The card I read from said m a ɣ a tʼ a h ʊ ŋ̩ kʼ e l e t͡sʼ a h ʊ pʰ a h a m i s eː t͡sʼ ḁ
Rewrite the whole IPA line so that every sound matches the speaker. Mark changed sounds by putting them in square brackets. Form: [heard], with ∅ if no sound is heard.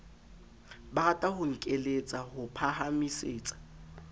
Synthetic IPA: [b] a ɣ a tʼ a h ʊ ŋ̩ kʼ e l e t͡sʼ a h ʊ pʰ a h a m i s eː t͡sʼ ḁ